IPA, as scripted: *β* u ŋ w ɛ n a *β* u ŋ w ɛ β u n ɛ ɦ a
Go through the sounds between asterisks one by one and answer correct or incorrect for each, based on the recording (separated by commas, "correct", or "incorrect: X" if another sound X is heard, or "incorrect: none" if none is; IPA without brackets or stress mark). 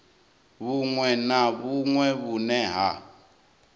correct, correct